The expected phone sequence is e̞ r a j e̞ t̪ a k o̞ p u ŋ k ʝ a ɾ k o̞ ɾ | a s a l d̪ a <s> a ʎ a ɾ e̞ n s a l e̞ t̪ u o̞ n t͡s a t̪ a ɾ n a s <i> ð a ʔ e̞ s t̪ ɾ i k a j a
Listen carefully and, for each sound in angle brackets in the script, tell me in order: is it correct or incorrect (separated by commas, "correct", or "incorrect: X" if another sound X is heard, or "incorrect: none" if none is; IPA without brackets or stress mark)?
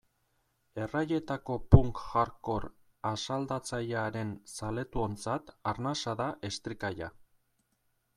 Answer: incorrect: t͡s, incorrect: a